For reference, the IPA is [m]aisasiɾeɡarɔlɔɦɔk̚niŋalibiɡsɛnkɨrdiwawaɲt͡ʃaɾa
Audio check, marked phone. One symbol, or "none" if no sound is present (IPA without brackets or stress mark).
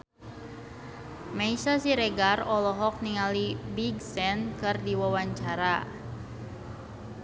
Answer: m